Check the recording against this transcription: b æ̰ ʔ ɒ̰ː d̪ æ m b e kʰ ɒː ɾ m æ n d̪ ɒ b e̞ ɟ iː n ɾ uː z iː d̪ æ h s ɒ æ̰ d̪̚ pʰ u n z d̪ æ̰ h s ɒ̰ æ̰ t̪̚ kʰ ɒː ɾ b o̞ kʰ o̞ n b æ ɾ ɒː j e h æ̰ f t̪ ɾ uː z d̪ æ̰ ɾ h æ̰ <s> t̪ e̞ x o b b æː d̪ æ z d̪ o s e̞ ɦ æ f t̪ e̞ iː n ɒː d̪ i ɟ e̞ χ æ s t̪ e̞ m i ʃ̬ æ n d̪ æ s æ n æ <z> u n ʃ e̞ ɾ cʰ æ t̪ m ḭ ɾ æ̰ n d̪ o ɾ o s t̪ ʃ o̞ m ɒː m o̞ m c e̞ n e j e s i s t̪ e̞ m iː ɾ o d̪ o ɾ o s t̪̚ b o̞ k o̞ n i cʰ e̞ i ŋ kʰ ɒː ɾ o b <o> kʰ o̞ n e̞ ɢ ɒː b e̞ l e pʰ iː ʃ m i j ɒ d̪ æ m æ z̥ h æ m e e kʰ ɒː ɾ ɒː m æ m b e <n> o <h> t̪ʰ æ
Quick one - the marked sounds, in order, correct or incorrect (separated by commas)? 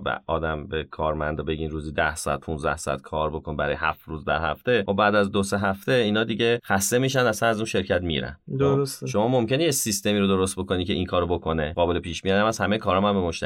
incorrect, correct, correct, incorrect, incorrect